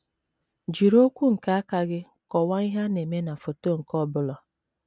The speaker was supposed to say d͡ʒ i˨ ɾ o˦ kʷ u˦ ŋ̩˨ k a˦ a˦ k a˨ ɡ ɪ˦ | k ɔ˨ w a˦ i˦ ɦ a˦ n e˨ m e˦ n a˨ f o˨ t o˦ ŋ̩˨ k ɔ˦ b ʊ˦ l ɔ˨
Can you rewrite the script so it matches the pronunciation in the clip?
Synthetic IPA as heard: d͡ʒ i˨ ɾ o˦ kʷ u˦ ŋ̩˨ k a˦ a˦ k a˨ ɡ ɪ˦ | k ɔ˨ w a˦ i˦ ɦ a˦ n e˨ m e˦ n a˨ f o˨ t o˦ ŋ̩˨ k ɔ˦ b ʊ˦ l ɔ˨